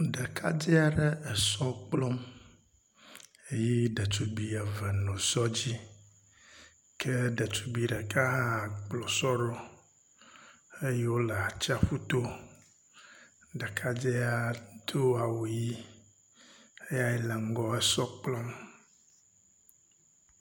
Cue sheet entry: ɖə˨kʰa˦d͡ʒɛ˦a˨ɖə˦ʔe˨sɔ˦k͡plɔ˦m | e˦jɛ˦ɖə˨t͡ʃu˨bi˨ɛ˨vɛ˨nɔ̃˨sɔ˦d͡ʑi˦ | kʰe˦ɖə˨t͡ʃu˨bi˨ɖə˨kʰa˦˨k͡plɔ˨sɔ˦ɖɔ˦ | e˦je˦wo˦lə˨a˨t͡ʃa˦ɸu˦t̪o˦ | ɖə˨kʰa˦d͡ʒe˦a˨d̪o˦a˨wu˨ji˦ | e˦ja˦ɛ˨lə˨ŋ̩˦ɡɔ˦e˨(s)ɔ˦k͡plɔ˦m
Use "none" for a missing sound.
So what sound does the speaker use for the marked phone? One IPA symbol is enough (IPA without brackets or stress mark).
s